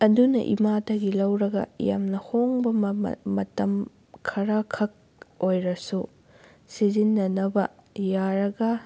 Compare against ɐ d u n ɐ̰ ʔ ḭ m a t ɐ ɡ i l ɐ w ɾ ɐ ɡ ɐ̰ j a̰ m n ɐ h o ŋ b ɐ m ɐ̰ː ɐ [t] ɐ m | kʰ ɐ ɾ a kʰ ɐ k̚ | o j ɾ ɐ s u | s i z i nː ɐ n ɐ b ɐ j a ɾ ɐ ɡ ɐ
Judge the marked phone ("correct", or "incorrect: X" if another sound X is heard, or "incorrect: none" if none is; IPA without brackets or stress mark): correct